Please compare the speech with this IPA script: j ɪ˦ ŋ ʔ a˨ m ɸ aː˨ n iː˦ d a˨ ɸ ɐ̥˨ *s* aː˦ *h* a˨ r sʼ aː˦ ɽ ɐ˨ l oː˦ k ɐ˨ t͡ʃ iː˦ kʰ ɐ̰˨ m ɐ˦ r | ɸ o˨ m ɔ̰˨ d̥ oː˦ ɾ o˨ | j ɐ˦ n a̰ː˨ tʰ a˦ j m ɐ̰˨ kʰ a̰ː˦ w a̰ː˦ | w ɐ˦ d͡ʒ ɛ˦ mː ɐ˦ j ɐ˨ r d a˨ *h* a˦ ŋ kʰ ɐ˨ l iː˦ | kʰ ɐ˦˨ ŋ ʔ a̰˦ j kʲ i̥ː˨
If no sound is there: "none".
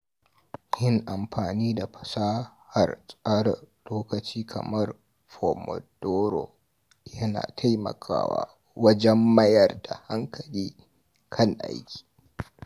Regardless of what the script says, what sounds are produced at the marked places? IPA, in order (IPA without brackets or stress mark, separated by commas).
s, h, h